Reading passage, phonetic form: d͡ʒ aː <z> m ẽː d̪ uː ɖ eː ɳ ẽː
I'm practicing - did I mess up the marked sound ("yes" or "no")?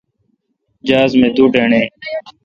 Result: no